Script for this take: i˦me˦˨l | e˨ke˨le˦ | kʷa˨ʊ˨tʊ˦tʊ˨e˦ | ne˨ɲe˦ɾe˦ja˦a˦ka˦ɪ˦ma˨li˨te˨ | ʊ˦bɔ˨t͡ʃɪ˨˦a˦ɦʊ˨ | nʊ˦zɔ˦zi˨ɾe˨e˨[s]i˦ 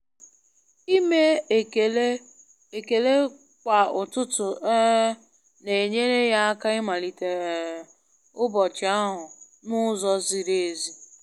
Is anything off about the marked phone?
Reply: yes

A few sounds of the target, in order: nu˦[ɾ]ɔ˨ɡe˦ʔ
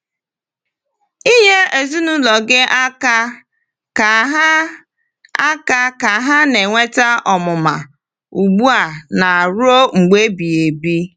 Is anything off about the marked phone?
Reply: yes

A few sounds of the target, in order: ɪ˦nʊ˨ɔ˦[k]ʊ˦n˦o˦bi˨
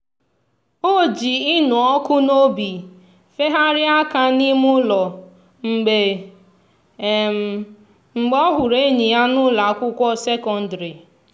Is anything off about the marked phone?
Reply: no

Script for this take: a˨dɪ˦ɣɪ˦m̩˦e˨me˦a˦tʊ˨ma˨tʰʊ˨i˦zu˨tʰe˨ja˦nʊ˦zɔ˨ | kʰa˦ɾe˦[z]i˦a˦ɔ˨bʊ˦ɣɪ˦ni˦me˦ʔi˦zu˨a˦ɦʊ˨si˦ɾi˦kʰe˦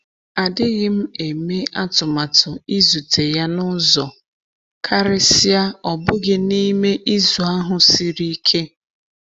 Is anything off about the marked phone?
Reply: yes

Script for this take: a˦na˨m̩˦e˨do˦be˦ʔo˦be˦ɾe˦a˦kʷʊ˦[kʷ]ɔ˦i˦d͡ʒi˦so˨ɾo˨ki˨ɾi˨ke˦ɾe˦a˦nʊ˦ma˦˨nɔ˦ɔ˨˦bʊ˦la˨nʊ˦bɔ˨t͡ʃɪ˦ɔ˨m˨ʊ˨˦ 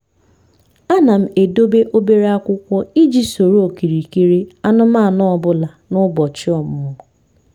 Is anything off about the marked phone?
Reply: no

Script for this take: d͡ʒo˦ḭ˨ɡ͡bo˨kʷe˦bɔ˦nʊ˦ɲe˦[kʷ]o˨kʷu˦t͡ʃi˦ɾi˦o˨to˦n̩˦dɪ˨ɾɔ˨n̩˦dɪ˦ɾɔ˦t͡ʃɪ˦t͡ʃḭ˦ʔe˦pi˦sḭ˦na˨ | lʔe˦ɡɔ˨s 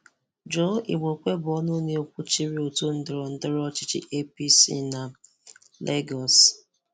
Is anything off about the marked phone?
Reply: yes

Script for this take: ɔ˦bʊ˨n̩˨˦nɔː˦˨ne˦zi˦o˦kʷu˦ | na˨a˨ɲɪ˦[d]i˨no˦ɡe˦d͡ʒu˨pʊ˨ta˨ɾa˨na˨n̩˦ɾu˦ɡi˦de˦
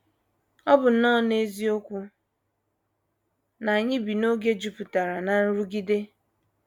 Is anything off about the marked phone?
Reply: yes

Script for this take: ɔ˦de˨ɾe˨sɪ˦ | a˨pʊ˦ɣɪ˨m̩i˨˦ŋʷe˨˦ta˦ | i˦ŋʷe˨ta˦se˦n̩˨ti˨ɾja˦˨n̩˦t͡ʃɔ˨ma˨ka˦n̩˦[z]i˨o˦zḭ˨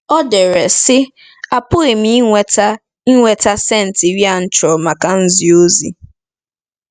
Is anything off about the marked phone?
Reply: no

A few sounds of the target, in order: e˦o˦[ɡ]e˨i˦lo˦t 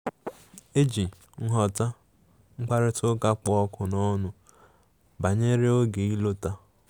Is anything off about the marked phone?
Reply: no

